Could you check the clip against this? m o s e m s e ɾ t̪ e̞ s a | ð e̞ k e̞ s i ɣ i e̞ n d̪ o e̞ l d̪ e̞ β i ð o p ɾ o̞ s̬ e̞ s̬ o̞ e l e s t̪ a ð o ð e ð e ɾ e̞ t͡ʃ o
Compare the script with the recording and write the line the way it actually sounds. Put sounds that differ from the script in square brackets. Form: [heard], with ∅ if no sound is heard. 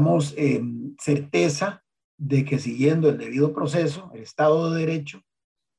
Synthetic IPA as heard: m o s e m s e ɾ t̪ e̞ s a | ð e̞ k e̞ s i ɣ [j] e̞ n d̪ o e̞ l d̪ e̞ β i ð o p ɾ o̞ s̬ e̞ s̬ o̞ e l e s t̪ a ð o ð e ð e ɾ e̞ t͡ʃ o